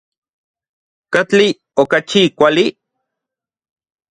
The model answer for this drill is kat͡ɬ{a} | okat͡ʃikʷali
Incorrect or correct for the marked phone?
incorrect: i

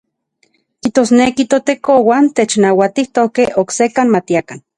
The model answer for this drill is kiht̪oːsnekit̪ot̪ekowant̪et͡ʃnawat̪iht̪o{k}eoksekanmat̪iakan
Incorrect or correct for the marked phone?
correct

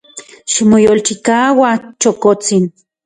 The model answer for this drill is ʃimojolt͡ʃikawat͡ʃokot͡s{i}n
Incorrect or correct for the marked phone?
correct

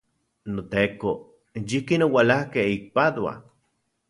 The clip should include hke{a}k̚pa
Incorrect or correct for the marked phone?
incorrect: i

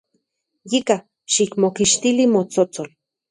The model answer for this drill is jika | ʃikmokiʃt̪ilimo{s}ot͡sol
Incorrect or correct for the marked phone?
incorrect: t͡s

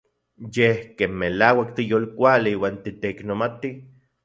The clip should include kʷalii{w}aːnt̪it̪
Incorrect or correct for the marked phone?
correct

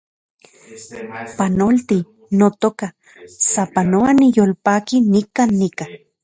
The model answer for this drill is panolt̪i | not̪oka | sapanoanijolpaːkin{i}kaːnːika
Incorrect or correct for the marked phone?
correct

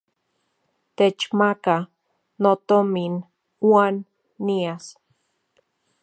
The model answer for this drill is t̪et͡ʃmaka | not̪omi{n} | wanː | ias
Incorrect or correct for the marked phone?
correct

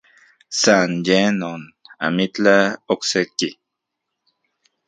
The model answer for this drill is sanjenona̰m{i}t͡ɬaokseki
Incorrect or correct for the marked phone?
correct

